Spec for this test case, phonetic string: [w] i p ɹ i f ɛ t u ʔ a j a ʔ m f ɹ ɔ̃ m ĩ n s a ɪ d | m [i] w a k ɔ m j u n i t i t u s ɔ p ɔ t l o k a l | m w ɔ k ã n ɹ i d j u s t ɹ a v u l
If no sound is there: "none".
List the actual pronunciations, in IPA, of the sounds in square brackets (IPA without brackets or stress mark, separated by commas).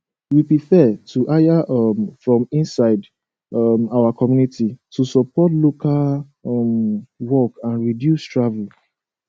w, a